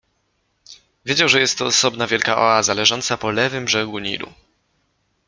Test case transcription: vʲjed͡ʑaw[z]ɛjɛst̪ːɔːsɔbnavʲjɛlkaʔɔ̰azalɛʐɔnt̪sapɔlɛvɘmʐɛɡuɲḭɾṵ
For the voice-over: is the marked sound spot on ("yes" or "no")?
no